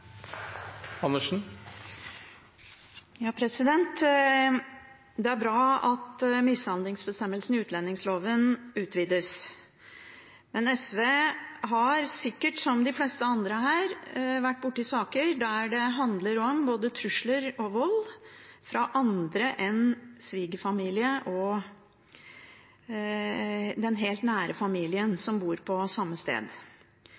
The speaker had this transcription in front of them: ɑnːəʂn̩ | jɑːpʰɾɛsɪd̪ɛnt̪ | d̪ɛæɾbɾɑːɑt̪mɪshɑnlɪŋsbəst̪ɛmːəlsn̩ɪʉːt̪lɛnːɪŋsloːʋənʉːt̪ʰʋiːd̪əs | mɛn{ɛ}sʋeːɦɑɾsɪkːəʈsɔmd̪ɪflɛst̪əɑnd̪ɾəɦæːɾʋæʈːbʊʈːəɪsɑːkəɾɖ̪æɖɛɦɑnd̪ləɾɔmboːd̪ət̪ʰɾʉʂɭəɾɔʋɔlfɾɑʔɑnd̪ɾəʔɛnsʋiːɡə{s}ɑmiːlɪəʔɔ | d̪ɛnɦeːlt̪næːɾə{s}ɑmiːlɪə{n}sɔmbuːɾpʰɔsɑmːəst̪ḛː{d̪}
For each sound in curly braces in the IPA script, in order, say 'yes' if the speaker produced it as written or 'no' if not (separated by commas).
yes, no, no, yes, yes